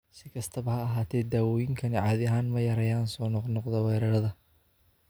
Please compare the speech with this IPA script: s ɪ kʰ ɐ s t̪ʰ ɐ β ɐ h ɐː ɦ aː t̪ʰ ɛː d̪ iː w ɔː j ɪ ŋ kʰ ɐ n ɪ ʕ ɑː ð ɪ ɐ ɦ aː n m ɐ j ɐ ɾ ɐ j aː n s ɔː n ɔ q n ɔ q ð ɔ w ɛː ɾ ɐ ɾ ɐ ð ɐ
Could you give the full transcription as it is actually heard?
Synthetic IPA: s ɪ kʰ ɐ s t̪ʰ ɐ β ɐ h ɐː ɦ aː t̪ʰ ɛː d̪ aː w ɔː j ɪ ŋ kʰ ɐ n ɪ ʕ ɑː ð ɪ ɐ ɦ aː n m ɐ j ɐ ɾ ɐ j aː n s ɔː n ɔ q n ɔ q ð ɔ w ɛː ɾ ɐ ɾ ɐ ð ɐ